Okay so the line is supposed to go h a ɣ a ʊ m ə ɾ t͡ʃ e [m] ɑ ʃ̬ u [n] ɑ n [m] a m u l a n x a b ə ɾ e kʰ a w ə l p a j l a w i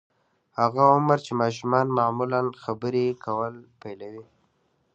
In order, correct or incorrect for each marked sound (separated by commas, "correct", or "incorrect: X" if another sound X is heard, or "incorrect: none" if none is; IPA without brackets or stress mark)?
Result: correct, incorrect: m, correct